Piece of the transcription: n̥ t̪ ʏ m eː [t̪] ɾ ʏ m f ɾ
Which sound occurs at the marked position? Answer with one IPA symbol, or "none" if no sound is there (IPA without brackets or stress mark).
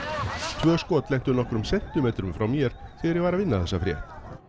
t̪